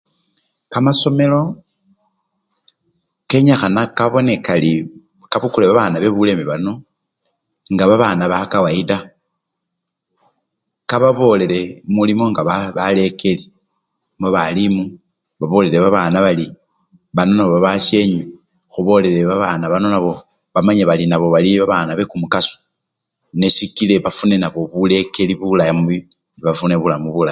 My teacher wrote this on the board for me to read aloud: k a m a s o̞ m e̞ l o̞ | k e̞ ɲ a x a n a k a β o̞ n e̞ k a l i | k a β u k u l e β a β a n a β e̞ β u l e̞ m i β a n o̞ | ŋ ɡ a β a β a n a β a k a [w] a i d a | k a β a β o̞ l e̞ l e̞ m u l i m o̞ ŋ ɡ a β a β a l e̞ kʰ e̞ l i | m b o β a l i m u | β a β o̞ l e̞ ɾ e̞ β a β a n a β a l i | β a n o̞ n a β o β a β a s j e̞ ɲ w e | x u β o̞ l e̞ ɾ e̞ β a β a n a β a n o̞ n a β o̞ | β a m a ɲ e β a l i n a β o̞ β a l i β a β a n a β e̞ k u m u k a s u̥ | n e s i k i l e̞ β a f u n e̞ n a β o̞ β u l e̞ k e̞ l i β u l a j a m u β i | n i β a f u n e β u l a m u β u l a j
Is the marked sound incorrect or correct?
correct